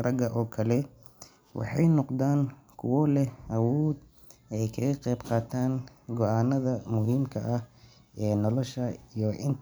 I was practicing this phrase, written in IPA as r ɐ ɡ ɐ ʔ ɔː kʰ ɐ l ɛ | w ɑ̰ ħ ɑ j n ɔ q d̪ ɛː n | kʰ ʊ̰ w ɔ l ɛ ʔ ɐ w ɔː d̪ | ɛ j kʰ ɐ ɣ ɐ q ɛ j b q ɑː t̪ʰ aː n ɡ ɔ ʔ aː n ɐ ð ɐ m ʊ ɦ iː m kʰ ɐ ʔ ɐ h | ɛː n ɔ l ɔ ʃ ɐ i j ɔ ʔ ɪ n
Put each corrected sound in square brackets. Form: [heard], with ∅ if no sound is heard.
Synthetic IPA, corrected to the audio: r ɐ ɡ ɐ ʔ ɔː kʰ ɐ l ɛ | w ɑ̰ ħ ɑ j n ɔ q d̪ [aː] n | kʰ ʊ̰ w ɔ l ɛ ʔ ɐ w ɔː d̪ | ɛ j kʰ ɐ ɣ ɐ q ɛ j b q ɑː t̪ʰ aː n ɡ ɔ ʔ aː n ɐ ð ɐ m ʊ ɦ iː m kʰ ɐ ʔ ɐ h | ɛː n ɔ l ɔ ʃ ɐ i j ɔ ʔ ɪ n